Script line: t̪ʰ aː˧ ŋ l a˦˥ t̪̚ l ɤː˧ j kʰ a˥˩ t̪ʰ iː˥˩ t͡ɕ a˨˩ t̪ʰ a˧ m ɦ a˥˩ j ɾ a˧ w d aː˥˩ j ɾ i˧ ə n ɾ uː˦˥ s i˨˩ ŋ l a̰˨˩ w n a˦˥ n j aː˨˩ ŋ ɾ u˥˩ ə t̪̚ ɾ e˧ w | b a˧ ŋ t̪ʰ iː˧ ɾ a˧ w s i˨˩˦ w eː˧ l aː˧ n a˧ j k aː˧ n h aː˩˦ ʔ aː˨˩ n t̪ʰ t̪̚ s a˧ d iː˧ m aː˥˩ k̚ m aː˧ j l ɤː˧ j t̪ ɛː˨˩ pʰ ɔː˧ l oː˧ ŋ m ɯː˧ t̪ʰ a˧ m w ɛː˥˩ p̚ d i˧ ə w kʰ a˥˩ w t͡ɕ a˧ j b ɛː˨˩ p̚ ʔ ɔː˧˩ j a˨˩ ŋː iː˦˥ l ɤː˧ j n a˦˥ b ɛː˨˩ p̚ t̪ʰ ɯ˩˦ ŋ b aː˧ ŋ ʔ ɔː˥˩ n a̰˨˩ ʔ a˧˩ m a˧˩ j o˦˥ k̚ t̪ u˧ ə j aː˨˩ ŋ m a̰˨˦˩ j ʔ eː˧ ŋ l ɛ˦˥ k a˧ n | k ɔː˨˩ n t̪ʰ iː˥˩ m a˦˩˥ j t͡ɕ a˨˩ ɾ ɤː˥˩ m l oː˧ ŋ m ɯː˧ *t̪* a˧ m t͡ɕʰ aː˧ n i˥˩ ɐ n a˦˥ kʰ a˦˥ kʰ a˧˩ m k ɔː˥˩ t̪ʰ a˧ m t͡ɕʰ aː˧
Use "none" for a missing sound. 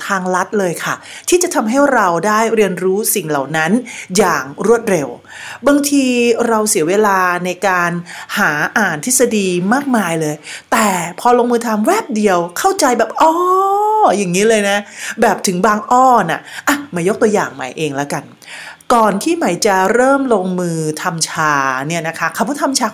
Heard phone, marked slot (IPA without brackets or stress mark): t̪ʰ